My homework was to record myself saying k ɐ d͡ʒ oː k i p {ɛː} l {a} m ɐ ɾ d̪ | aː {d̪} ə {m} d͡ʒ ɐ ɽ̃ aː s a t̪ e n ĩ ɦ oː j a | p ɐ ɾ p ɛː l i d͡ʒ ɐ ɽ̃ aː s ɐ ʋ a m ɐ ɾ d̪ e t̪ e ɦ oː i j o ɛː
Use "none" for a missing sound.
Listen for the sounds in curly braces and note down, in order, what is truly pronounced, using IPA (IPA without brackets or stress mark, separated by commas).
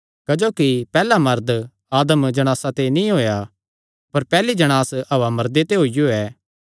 ɛː, a, d̪, m